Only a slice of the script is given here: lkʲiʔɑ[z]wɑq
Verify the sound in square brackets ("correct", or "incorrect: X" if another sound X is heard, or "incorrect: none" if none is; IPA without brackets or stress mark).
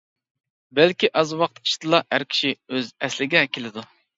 correct